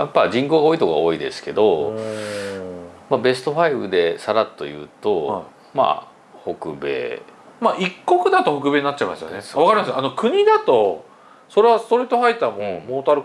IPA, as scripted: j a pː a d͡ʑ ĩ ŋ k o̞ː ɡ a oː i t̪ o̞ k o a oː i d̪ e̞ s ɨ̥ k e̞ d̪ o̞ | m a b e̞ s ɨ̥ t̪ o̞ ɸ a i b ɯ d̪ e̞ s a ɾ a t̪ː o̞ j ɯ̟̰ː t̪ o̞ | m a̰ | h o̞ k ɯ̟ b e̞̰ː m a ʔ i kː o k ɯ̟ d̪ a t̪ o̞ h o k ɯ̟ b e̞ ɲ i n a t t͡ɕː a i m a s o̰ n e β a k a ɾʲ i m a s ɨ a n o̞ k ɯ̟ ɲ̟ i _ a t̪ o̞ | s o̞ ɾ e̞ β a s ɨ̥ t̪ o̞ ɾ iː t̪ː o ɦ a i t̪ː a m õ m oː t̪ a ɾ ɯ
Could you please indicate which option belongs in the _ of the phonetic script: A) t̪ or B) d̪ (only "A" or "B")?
B